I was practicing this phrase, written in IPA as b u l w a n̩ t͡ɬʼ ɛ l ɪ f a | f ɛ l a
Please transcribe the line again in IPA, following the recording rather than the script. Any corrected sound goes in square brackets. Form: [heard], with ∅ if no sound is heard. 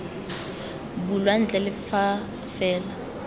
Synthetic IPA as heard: b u l w a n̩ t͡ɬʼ ɛ l ɪ f a | f [ɛː] l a